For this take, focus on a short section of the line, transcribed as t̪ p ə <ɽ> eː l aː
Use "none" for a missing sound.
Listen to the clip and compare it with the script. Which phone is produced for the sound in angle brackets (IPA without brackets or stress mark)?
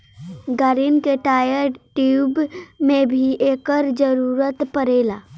ɾ